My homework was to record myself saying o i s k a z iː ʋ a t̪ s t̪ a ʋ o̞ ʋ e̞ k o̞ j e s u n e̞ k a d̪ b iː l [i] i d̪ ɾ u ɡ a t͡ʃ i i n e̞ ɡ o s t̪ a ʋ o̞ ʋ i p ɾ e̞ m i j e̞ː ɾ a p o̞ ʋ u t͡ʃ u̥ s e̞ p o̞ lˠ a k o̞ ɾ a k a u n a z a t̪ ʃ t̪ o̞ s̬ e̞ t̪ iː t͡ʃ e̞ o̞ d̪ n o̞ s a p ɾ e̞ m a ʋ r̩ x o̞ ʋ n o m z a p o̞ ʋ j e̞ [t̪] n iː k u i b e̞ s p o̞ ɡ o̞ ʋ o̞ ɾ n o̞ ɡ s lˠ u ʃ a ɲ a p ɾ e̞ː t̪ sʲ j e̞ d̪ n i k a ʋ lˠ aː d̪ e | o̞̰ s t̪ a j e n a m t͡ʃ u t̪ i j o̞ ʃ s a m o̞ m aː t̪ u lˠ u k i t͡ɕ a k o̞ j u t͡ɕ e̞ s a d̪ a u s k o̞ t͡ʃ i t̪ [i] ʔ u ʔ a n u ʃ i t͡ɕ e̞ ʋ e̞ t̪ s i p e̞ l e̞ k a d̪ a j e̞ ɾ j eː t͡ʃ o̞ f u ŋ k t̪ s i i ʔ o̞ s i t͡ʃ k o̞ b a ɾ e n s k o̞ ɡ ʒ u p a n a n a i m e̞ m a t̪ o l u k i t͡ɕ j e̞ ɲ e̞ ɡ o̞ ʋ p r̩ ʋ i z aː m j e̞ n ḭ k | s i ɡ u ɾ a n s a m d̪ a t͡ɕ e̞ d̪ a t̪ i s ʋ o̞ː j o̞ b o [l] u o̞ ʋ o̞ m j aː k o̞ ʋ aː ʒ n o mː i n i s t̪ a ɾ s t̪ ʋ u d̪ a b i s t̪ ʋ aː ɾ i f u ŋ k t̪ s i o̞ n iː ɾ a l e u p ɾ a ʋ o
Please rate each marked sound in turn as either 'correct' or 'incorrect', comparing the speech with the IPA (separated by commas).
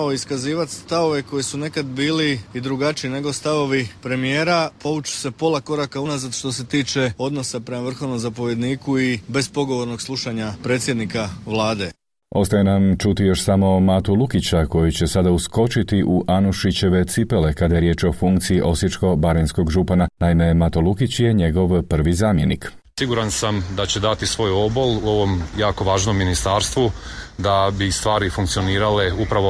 correct, incorrect, correct, correct